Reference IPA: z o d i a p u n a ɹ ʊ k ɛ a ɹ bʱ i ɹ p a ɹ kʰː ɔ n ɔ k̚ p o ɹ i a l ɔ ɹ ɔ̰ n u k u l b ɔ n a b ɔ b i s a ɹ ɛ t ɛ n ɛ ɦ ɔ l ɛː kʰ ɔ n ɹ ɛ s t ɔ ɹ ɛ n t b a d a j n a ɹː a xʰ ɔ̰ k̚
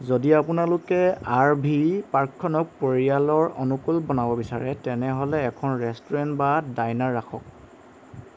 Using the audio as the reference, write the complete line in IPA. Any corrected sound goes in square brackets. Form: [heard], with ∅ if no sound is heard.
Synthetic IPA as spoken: z o d i a p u n a [l] ʊ k ɛ a ɹ bʱ i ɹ p a ɹ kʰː ɔ n ɔ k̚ p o ɹ i a l ɔ ɹ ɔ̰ n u k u l b ɔ n a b ɔ b i s a ɹ ɛ t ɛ n ɛ ɦ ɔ l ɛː kʰ ɔ n ɹ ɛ s t ɔ ɹ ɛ n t b a d a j n a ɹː a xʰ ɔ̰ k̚